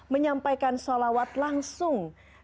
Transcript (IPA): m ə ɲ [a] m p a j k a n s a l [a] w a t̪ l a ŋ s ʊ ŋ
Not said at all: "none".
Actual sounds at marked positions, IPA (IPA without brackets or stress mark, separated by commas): a, a